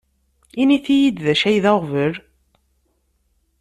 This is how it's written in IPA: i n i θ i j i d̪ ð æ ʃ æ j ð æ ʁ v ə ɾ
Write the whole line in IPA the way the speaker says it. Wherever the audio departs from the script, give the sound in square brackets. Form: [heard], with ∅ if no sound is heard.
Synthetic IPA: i n i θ i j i d̪ ð æ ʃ æ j ð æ ʁ v ə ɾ